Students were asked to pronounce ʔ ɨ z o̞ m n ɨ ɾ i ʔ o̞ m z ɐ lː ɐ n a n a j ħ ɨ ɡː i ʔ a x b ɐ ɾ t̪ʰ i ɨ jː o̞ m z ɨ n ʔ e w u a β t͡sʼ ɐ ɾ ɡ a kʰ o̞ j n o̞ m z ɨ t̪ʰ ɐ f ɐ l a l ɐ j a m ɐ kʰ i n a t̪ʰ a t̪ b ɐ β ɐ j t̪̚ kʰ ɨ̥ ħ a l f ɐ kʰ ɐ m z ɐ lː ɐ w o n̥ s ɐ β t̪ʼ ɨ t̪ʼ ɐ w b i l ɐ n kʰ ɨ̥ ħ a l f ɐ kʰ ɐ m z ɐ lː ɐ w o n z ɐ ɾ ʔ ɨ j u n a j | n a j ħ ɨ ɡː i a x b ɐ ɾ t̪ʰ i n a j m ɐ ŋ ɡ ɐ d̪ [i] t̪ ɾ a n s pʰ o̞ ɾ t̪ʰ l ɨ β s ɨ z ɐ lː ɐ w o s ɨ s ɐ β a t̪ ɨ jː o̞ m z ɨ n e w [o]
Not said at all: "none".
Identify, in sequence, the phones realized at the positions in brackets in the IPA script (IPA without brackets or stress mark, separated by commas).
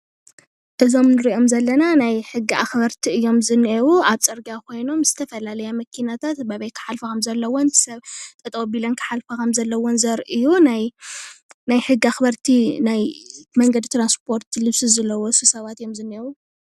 i, u